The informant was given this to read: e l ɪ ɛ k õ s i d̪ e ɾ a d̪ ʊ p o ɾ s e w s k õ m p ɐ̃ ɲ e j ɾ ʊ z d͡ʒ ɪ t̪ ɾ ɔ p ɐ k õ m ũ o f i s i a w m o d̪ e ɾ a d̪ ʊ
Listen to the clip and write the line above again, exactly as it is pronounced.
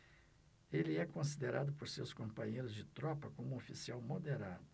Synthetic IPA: e l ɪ ɛ k õ s i d̪ e ɾ a d̪ ʊ p o ɾ s e w s k õ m p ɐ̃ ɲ e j ɾ ʊ z d͡ʒ ɪ t̪ ɾ ɔ p ɐ k õ m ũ o f i s i a w m o d̪ e ɾ a d̪ ʊ